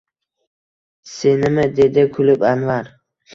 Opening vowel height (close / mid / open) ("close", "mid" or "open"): mid